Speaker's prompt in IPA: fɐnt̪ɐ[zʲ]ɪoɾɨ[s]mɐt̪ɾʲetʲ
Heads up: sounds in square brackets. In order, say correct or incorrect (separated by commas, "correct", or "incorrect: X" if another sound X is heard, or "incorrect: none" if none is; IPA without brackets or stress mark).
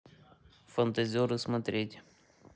correct, correct